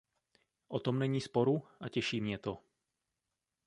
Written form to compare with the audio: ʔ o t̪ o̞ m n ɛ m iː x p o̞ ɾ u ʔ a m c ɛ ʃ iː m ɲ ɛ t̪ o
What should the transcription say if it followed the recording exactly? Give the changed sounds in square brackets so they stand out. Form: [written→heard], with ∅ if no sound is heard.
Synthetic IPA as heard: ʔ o t̪ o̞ m n ɛ [m→ɲ] iː [x→s] p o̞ ɾ u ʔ a [m→∅] c ɛ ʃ iː m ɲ ɛ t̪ o